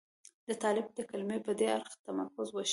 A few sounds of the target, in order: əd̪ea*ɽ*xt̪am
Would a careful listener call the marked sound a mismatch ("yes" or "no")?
yes